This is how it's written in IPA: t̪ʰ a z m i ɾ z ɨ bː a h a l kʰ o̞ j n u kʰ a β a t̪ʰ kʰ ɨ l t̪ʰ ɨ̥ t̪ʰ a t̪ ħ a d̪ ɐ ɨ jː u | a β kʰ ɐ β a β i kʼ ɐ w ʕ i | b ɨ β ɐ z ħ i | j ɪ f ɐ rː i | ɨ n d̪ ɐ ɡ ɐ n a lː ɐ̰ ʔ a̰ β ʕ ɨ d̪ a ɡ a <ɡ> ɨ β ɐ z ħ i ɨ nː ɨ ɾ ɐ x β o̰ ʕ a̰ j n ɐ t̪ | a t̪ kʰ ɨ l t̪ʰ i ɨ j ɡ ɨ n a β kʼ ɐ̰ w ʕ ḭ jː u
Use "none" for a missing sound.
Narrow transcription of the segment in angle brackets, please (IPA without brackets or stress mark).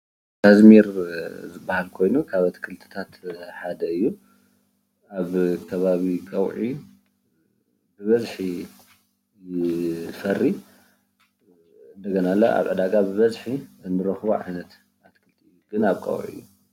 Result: b